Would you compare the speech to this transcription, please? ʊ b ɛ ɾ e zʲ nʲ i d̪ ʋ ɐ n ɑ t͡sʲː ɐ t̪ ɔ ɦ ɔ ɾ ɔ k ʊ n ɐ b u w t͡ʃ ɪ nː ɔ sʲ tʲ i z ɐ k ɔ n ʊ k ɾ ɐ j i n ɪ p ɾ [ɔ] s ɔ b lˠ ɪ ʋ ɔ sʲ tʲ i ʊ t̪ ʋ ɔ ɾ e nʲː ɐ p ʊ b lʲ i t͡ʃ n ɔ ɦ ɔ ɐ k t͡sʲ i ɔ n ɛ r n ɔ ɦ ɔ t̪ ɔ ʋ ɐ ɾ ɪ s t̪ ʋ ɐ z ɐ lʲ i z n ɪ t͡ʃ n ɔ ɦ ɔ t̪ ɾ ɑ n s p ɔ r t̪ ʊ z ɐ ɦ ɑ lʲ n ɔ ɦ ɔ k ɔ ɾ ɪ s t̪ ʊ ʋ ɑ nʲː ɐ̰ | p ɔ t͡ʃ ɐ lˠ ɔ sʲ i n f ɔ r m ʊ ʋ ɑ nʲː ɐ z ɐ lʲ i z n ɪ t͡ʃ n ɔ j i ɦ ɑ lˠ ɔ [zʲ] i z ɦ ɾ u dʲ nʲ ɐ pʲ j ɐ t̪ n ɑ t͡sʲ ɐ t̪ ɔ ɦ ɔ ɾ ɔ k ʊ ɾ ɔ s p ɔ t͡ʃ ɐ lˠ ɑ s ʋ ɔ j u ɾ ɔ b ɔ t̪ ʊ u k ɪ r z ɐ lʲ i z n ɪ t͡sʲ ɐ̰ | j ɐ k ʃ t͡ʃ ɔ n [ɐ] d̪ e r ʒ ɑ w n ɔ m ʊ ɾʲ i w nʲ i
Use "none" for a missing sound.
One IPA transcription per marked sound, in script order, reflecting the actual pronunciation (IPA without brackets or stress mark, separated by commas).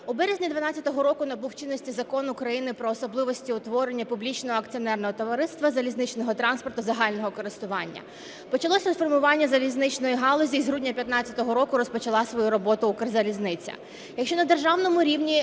ɔː, zʲ, ɐ